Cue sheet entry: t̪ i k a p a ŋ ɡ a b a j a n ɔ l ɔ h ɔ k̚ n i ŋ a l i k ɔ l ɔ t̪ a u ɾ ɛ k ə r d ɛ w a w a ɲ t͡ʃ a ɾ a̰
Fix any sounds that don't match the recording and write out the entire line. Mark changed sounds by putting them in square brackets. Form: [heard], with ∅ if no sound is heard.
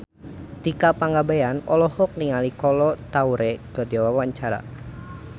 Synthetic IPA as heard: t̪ i k a p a ŋ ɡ a b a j a n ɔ l ɔ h ɔ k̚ n i ŋ a l i k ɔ l ɔ t̪ a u ɾ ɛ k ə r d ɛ w a w a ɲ t͡ʃ a ɾ a̰